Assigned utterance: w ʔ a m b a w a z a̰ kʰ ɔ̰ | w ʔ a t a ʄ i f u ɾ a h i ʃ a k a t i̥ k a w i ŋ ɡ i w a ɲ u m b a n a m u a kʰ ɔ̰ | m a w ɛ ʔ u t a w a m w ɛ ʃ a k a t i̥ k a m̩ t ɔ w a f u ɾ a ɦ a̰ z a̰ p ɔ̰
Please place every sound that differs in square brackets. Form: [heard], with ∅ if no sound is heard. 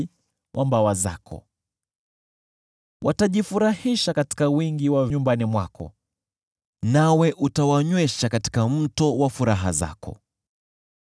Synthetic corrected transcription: w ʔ a m b a w a z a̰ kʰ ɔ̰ | w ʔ a t a ʄ i f u ɾ a h i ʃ a k a t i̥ k a w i ŋ ɡ i w a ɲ u m b a n [i] m [w] a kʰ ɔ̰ | [n] a w ɛ ʔ u t a w a [ɲ] w ɛ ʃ a k a t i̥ k a m̩ t ɔ w a f u ɾ a ɦ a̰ z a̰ [k] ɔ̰